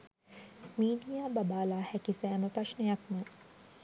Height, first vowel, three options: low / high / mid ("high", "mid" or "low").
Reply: high